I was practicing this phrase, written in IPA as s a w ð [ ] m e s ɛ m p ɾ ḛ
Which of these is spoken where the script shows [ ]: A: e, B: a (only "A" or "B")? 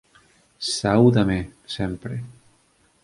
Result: B